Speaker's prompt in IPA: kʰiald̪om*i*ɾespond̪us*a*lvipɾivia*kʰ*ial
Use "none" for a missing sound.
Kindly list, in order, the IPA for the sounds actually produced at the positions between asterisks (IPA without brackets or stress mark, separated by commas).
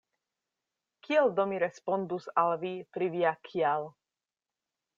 i, a, kʰ